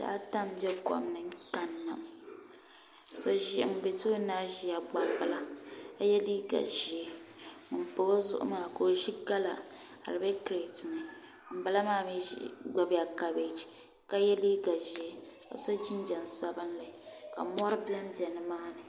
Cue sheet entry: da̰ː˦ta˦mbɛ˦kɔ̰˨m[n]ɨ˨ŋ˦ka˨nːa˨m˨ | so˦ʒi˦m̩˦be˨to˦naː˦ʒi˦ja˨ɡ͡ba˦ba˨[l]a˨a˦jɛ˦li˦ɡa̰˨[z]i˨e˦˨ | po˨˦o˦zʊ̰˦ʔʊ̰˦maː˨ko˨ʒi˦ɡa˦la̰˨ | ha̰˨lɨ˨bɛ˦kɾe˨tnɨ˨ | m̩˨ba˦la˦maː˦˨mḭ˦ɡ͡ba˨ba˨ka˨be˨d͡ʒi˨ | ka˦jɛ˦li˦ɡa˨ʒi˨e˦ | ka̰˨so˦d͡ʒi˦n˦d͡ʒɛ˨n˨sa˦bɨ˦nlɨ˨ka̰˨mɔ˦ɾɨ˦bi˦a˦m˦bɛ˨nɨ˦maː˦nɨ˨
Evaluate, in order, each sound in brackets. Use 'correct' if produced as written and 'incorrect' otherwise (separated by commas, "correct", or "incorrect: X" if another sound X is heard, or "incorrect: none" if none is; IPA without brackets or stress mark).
correct, correct, incorrect: ʒ